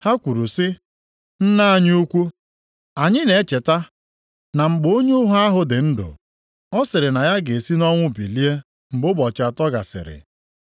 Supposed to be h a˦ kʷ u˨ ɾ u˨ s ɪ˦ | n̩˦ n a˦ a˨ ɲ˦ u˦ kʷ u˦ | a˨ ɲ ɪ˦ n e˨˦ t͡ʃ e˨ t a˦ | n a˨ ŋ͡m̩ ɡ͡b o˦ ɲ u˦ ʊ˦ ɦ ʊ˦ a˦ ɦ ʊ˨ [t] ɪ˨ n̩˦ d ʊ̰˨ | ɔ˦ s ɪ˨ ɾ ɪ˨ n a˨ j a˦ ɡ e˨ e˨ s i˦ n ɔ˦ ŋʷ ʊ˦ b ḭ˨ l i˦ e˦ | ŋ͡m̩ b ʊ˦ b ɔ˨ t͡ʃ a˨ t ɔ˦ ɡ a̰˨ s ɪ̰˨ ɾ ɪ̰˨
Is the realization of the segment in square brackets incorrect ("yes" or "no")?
yes